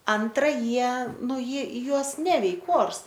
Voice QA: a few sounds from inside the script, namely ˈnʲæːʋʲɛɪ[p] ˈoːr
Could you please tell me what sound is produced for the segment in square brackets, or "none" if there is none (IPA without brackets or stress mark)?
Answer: k